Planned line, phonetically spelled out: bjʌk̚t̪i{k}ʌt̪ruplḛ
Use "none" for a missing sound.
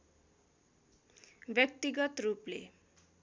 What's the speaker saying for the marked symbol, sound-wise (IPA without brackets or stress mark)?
ɡ